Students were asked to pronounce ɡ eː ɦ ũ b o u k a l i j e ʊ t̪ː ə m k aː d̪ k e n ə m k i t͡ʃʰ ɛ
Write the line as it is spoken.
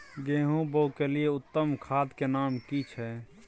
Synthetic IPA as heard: ɡ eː ɦ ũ b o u k e l i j e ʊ t̪ː ə m kʰ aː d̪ k e n a m k i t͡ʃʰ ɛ

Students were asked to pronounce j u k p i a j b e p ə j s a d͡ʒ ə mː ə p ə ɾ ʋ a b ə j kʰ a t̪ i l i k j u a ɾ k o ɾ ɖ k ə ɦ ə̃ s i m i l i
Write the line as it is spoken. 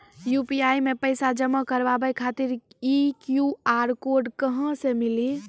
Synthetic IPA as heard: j u p i a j m e p ə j s a d͡ʒ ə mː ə k ə ɾ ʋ a b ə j kʰ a t̪ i ɾ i k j u a ɾ k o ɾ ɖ k ə ɦ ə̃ s e m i l i

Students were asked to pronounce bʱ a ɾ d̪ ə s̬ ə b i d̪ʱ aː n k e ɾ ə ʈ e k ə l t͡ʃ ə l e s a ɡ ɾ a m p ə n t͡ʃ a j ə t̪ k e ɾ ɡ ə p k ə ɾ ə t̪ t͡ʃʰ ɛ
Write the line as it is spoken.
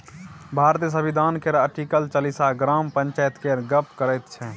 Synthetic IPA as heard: bʱ a ɾ t̪ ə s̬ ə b i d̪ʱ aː n k e ɾ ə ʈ i k ə l t͡ʃ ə l i s a ɡ ɾ a m p ə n t͡ʃ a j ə t̪ k e ɾ ɡ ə p k ə ɾ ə t̪ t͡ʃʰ ɛ

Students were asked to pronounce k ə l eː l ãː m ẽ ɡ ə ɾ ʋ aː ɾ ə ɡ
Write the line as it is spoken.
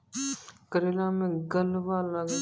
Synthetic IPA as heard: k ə ɾ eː l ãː m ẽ ɡ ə l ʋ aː l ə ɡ

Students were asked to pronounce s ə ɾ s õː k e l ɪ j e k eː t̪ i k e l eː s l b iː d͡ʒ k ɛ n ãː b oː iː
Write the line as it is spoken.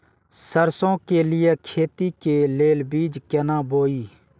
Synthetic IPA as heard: s ə ɾ s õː k e l ɪ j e kʰ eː t̪ i k e l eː l b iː d͡ʒ k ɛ n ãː b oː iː

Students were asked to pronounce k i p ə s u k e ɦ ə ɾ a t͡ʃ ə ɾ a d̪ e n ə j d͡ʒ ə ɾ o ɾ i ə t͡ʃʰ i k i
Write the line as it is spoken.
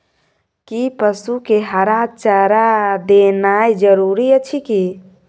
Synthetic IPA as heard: k i p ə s u k e ɦ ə ɾ a t͡ʃ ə ɾ a d̪ e n a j d͡ʒ ə ɾ u ɾ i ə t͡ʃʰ i k i

